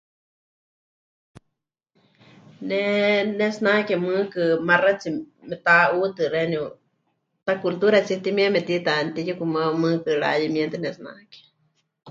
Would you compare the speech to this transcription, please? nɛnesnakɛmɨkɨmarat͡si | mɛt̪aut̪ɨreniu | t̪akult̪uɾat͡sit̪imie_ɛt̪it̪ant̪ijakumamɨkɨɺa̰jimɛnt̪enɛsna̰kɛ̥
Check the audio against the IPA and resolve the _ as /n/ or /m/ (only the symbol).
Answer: m